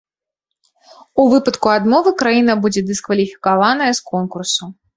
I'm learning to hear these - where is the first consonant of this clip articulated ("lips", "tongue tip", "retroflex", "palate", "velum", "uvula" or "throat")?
lips